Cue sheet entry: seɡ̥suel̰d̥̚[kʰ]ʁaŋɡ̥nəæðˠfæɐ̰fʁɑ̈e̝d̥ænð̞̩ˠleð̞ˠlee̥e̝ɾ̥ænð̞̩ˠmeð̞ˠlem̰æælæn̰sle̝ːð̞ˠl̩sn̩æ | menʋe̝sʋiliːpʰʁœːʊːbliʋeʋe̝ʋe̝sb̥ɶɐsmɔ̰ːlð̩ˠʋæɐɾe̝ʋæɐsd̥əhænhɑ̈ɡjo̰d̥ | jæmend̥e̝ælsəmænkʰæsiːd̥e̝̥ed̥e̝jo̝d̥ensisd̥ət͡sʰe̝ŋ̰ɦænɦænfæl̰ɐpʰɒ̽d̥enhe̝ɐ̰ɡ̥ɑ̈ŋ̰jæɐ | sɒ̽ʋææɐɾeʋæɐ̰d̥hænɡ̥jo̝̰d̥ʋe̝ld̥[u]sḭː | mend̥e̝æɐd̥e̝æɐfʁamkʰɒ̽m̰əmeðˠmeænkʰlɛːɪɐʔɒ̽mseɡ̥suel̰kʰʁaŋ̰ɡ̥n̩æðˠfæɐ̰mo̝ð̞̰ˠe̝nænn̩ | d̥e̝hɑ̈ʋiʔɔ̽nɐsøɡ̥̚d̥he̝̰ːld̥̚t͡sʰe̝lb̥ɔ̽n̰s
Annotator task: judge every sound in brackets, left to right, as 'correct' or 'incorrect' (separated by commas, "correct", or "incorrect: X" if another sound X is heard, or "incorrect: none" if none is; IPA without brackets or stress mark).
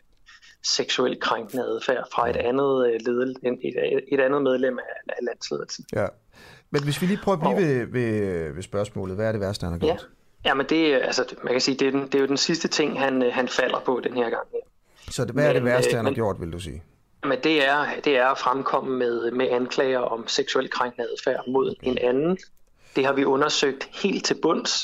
correct, correct